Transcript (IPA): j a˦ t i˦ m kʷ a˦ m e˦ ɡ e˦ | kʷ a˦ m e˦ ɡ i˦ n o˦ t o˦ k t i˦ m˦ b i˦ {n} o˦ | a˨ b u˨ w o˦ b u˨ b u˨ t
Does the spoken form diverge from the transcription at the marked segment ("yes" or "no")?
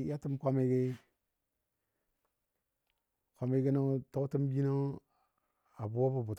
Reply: no